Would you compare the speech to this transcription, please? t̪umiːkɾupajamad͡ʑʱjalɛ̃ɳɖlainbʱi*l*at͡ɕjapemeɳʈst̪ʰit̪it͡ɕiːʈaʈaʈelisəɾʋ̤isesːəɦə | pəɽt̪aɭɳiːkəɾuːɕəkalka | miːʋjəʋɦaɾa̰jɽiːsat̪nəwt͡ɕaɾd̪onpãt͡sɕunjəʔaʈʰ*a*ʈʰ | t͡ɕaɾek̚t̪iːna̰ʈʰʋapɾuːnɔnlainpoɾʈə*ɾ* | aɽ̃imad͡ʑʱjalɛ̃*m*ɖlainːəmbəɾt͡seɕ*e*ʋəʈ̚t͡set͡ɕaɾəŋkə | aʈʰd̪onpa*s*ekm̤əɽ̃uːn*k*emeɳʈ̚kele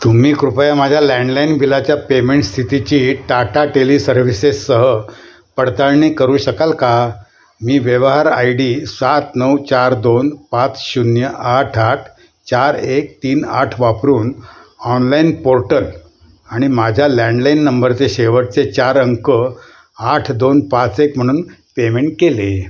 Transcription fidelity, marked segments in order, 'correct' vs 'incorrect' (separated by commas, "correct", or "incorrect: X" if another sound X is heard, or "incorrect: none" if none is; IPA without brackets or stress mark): correct, correct, incorrect: l, incorrect: ɳ, correct, incorrect: t͡s, incorrect: p